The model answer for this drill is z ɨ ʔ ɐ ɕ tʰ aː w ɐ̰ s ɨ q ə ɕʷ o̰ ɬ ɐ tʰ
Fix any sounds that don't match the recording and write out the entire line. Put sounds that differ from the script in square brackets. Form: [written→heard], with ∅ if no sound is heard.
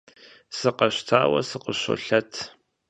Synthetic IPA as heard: [z→s] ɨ [ʔ→q] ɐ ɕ tʰ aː w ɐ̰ s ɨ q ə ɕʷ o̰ ɬ ɐ tʰ